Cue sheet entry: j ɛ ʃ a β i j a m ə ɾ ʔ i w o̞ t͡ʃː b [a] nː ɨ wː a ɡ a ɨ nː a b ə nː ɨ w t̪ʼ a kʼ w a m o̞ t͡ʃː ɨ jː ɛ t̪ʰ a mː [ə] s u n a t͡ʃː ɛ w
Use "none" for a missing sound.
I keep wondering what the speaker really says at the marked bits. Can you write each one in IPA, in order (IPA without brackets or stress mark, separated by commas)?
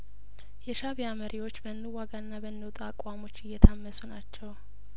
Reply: ə, ə